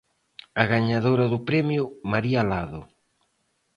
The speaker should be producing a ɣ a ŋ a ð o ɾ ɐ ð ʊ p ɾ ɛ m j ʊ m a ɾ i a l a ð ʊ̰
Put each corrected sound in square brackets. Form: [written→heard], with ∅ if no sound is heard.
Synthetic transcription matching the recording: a ɣ a [ŋ→ɲ] a ð o ɾ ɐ ð ʊ p ɾ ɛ m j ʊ m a ɾ i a l a ð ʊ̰